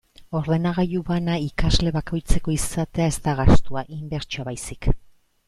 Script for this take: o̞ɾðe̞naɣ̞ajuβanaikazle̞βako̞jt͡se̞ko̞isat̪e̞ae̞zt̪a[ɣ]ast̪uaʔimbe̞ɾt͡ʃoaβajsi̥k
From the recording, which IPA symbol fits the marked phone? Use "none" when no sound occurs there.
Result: ɣ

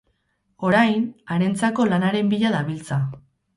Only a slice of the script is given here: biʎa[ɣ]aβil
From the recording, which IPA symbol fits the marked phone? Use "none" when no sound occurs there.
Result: ð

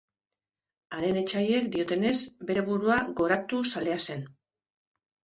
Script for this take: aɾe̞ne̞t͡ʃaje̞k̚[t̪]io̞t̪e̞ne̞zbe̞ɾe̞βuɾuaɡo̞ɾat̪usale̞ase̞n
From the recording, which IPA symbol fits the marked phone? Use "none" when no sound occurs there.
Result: d̪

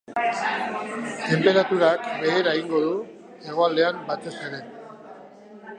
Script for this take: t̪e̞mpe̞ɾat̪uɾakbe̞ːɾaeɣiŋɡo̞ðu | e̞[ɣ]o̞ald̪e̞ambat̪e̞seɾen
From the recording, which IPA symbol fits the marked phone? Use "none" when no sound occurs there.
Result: ɣ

